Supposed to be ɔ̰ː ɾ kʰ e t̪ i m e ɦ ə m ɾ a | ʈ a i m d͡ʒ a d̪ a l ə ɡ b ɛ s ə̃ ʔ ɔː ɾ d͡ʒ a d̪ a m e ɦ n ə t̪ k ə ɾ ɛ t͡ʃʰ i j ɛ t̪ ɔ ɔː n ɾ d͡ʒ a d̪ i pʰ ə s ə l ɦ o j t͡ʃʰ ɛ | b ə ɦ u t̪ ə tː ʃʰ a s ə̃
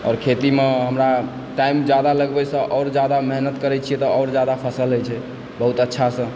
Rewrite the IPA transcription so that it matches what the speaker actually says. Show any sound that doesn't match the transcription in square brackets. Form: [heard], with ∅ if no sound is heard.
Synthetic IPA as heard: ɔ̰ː ɾ kʰ e t̪ i m e ɦ ə m ɾ a | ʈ a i m d͡ʒ a d̪ a l ə ɡ b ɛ s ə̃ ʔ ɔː ɾ d͡ʒ a d̪ a m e ɦ n ə t̪ k ə ɾ ɛ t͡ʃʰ i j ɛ t̪ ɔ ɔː [∅] ɾ d͡ʒ a d̪ [a] pʰ ə s ə l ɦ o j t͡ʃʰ ɛ | b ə ɦ u t̪ ə tː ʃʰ a s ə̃